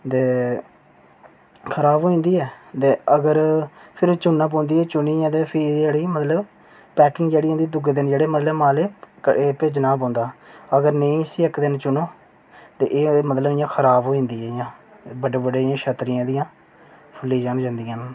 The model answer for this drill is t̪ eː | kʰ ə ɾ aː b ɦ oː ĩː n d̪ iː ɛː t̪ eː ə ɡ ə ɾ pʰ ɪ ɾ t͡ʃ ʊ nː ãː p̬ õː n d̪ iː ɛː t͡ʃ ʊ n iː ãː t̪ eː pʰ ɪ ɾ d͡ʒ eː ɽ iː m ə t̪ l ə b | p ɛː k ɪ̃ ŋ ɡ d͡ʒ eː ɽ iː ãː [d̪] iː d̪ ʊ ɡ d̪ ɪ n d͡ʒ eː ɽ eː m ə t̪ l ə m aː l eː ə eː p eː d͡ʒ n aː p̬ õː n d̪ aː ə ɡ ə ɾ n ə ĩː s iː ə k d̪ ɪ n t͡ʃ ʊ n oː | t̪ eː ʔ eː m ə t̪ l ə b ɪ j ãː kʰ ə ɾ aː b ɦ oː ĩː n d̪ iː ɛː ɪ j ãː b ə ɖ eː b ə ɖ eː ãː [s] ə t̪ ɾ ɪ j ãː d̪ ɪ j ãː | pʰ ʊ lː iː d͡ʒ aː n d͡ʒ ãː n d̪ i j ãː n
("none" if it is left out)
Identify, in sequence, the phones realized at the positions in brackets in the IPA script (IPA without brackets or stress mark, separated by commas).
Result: d̪, ʃ